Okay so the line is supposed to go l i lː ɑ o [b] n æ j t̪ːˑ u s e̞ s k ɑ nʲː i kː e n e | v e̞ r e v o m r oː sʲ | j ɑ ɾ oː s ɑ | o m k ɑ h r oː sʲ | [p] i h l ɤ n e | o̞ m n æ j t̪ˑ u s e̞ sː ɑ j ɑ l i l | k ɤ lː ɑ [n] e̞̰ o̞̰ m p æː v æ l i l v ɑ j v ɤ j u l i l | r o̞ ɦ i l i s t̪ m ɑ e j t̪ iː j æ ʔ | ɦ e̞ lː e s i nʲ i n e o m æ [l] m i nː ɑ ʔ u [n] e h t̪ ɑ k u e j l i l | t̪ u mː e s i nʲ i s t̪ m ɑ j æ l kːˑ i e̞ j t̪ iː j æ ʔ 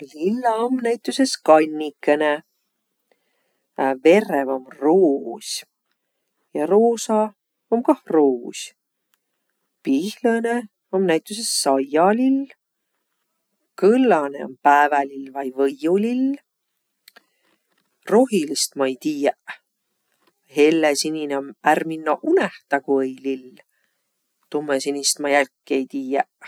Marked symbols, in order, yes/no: no, yes, yes, no, yes

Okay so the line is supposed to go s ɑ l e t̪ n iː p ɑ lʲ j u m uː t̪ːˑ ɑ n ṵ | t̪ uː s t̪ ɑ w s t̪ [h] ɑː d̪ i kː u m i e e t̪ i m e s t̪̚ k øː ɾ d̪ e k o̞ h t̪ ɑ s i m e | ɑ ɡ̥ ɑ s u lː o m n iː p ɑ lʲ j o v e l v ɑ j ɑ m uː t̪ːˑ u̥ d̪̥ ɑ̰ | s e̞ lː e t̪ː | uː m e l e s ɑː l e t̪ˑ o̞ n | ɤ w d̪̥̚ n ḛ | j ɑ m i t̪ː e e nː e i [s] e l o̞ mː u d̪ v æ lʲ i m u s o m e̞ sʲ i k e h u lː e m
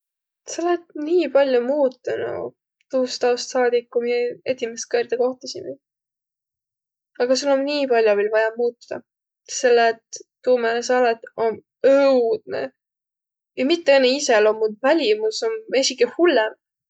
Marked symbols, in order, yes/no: no, yes

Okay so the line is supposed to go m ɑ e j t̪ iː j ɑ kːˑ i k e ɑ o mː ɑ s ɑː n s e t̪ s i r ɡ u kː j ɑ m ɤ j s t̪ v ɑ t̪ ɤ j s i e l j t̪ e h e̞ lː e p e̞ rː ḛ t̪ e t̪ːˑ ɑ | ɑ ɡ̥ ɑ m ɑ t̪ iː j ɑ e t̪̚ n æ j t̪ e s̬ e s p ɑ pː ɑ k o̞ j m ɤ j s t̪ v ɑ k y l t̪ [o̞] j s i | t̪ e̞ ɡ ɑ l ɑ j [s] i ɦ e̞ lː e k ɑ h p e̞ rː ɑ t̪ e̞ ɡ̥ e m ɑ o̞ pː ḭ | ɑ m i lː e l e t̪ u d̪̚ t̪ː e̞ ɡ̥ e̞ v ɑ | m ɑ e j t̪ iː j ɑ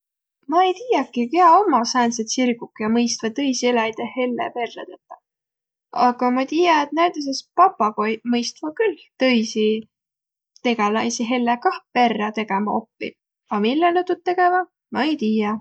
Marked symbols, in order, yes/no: no, yes

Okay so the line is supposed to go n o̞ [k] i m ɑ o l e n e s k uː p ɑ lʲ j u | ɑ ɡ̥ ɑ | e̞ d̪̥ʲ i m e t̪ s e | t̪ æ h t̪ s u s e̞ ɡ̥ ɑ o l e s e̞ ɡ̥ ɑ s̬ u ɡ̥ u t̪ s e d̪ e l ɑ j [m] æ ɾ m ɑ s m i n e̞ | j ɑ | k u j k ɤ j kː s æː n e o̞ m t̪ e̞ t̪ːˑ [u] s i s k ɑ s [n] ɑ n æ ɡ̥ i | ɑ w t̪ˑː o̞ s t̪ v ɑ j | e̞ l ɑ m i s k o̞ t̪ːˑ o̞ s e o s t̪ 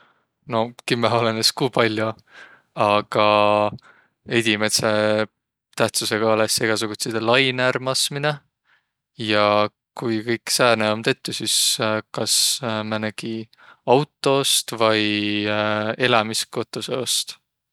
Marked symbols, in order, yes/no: yes, no, yes, no

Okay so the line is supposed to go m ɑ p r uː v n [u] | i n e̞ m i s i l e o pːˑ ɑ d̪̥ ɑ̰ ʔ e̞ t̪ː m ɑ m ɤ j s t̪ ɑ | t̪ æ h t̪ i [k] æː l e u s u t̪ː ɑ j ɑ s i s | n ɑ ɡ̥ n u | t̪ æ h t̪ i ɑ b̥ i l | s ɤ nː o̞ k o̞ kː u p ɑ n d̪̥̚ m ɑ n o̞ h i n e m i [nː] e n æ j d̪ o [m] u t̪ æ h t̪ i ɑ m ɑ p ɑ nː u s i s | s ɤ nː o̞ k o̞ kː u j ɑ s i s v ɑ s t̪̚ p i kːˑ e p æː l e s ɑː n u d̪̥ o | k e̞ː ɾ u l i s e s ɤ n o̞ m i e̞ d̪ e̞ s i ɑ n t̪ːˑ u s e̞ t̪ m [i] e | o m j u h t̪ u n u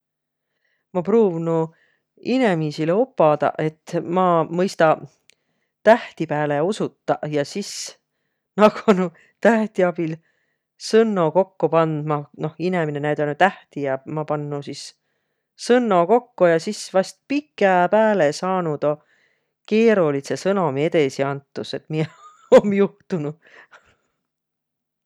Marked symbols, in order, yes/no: yes, no, no, no, yes

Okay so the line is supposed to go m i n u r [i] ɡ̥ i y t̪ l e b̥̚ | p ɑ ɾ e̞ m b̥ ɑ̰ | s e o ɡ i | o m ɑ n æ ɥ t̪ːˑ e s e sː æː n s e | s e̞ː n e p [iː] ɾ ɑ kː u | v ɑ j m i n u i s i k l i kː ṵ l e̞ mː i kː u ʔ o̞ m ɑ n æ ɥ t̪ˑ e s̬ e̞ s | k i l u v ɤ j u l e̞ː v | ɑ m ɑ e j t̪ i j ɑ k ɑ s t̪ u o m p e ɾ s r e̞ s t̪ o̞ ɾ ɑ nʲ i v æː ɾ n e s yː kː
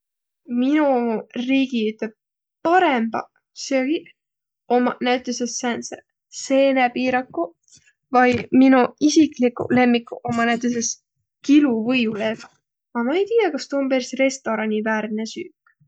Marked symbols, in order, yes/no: no, yes

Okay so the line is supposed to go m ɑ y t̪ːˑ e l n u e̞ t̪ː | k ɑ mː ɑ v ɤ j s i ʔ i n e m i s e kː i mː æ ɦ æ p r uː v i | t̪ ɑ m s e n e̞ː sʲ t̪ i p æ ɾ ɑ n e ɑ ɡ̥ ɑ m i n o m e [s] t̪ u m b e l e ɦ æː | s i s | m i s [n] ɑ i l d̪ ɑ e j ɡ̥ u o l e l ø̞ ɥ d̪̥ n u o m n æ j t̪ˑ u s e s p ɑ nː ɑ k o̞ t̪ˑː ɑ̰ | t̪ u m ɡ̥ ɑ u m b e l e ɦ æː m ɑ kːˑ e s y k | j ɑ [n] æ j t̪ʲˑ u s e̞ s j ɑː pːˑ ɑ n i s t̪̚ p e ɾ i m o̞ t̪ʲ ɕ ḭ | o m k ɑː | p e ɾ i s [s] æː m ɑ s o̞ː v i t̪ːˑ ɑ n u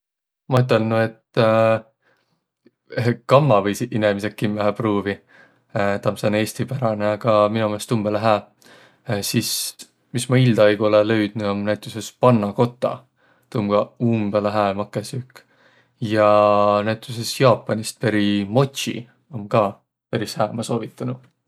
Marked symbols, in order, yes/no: yes, no, yes, no

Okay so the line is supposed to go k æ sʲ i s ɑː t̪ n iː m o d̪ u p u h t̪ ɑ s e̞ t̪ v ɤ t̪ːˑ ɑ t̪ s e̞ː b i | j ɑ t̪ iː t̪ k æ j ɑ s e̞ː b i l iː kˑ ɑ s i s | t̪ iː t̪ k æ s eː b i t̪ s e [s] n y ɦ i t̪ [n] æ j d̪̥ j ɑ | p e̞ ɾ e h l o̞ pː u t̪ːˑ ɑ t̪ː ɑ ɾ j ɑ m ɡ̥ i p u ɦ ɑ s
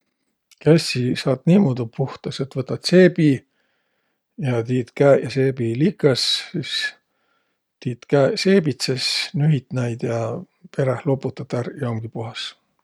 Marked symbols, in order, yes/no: yes, yes

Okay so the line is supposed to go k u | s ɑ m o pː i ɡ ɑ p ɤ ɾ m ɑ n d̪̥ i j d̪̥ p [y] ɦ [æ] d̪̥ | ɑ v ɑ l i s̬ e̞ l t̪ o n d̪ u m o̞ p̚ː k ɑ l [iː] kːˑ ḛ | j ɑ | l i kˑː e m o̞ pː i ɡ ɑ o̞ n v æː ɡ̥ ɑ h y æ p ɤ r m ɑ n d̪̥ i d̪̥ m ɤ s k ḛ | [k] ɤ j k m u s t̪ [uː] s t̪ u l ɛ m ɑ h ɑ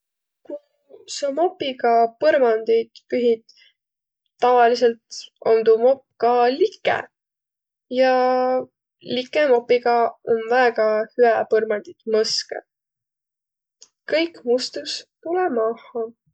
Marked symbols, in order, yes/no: yes, no, no, yes, no

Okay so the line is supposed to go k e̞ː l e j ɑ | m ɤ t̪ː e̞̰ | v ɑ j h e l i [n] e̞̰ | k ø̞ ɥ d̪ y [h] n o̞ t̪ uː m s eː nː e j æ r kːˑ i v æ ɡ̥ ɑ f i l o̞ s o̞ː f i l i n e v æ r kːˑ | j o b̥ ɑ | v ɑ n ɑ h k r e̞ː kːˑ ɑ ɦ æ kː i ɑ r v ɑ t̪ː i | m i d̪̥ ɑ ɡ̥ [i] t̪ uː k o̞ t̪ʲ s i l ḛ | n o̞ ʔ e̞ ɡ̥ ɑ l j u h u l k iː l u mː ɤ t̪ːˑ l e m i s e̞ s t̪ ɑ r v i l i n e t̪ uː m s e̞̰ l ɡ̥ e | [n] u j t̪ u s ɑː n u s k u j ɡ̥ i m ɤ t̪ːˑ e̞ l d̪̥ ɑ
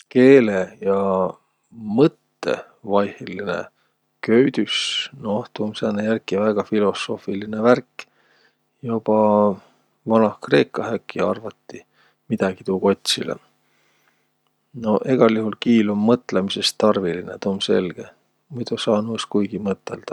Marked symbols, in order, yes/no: yes, no, yes, no

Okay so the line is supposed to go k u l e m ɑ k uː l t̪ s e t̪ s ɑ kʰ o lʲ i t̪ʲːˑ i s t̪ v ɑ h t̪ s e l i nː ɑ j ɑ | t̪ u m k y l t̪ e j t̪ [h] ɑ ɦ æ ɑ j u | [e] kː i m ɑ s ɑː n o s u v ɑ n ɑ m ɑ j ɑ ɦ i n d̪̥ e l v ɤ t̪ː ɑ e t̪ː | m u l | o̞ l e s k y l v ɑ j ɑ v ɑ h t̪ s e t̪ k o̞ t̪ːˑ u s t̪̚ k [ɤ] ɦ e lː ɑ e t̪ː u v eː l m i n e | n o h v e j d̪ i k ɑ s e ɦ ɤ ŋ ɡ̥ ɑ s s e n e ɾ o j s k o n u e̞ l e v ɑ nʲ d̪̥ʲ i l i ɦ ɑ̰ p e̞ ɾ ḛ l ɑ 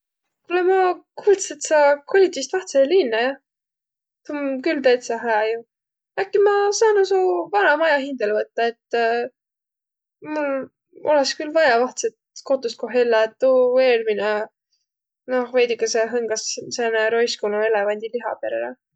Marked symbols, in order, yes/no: no, no, no

